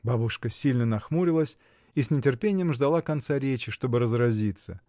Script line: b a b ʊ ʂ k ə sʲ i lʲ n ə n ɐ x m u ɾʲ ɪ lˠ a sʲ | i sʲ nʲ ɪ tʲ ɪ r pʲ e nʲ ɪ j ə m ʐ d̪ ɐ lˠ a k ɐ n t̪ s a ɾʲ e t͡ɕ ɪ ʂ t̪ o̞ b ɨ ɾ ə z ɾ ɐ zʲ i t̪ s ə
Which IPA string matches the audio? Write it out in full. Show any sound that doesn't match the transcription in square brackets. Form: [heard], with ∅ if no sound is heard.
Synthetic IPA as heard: b a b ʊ ʂ k ə sʲ i lʲ n ə n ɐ x m u ɾʲ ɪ lˠ [ə] sʲ | i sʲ nʲ ɪ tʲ ɪ r pʲ e nʲ ɪ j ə m ʐ d̪ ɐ lˠ a k ɐ n t̪ s a ɾʲ e t͡ɕ ɪ ʂ t̪ o̞ b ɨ ɾ ə z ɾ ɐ zʲ i t̪ s ə